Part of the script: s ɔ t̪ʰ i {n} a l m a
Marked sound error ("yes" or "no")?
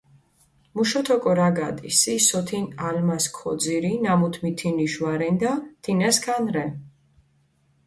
no